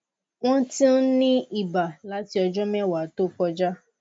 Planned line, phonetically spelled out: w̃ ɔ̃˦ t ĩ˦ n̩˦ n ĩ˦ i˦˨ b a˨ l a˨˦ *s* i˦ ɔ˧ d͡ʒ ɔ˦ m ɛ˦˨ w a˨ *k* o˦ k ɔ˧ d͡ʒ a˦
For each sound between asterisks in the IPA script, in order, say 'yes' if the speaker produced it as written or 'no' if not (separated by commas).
no, no